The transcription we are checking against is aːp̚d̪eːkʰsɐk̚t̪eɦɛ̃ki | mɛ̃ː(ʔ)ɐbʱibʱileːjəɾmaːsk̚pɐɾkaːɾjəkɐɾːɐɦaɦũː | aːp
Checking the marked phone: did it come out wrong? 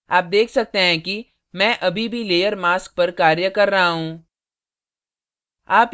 no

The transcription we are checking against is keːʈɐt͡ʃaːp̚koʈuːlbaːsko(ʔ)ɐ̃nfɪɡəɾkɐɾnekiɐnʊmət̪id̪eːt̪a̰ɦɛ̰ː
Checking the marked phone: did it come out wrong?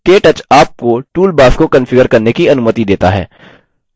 yes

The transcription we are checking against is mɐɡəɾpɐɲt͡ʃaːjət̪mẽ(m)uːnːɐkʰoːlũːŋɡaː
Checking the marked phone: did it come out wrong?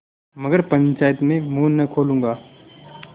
no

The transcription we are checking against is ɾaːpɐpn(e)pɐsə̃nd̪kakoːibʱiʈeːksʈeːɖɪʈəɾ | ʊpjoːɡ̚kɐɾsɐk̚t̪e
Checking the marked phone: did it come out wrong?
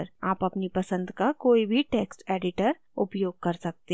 yes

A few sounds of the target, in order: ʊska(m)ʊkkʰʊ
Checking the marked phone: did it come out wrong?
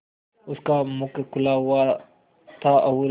no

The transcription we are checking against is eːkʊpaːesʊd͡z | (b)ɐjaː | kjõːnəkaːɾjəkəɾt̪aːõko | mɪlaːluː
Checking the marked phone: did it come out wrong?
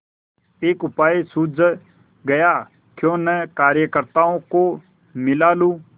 yes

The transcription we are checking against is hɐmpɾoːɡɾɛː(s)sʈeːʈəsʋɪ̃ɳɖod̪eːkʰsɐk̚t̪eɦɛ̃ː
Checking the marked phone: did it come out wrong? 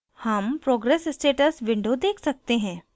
no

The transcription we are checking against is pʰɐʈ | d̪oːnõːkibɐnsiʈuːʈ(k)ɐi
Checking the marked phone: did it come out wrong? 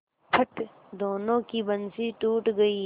yes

